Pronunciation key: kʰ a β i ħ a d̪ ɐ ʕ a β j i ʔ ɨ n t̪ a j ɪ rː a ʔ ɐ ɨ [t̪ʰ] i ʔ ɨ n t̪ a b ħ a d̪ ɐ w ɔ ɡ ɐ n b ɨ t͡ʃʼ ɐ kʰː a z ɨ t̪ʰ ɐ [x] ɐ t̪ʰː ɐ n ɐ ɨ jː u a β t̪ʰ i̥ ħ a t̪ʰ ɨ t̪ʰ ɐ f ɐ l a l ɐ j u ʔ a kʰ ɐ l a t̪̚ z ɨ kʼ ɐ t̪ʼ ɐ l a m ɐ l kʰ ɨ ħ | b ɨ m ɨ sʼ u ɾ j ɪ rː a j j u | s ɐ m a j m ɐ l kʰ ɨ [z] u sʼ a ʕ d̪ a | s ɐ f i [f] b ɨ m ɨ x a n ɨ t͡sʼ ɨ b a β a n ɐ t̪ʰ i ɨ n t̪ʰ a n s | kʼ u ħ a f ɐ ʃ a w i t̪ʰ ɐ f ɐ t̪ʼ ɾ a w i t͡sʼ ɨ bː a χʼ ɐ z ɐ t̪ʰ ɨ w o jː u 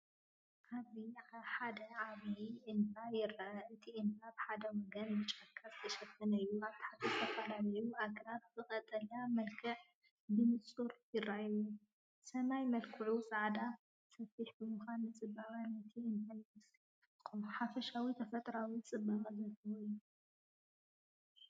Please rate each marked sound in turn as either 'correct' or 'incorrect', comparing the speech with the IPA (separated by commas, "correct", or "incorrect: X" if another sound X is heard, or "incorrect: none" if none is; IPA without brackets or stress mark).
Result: correct, incorrect: ʃ, incorrect: ʕ, incorrect: ħ